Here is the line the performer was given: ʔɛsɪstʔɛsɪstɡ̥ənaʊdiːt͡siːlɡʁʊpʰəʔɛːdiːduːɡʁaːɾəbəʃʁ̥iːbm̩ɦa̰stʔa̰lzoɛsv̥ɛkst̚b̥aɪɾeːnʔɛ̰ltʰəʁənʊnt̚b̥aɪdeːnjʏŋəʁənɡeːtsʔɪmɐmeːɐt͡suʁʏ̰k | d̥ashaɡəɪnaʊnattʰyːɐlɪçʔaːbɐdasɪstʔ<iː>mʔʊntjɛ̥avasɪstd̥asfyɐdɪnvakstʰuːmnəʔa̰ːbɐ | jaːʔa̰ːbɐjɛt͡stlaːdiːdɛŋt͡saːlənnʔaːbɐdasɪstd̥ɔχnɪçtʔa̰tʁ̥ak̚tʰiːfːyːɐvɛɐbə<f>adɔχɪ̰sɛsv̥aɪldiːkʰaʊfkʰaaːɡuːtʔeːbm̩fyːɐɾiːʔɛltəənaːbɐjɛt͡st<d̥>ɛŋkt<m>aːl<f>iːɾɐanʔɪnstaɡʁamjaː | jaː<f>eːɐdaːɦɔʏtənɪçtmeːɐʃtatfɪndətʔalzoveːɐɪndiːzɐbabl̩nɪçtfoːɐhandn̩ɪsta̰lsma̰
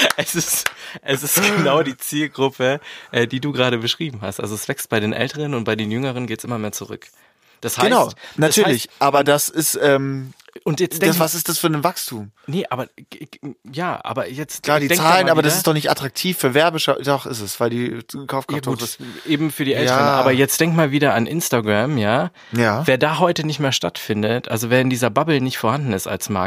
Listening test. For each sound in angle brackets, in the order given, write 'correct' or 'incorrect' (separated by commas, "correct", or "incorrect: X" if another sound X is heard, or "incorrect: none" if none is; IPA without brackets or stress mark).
incorrect: ɛː, incorrect: ʃ, correct, correct, incorrect: v, incorrect: v